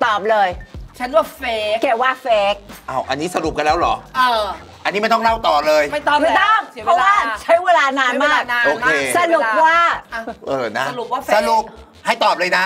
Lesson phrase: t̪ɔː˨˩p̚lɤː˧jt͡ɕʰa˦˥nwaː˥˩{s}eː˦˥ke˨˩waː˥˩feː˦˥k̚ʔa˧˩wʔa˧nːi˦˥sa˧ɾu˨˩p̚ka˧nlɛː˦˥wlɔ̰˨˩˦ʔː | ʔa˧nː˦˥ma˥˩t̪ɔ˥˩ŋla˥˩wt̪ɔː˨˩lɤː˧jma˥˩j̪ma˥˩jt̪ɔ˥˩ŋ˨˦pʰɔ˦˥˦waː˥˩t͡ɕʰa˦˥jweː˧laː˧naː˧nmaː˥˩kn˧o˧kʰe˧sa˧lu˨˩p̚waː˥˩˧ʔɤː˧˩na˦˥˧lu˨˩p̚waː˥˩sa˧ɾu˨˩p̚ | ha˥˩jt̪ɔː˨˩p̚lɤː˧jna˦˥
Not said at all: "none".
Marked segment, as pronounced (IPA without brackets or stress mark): f